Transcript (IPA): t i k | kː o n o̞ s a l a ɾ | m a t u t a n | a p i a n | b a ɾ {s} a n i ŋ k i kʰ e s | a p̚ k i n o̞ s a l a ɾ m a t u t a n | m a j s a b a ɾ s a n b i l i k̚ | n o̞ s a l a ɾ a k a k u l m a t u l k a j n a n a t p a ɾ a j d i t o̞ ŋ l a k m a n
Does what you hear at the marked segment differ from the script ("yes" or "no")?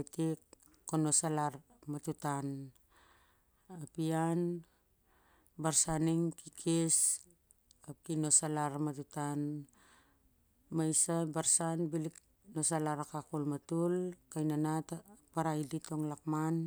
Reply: no